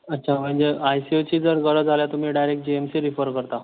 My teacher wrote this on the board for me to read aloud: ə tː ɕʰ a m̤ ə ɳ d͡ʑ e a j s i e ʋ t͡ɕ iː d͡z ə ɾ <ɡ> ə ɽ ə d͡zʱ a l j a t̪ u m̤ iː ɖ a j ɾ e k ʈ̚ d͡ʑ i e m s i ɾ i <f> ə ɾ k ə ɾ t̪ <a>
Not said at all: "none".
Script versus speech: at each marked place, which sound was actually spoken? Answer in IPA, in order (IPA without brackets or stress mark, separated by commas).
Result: ɡ, f, a